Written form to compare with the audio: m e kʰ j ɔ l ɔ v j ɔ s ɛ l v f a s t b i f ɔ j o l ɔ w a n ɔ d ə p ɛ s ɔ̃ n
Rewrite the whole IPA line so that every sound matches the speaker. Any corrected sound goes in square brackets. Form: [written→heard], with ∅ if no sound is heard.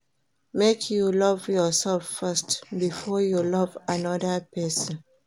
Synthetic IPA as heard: m e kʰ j [ɔ→u] l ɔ v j ɔ s ɛ l [v→f] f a s t b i f ɔ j [o→u] l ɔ [w→v] a n ɔ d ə p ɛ s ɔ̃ n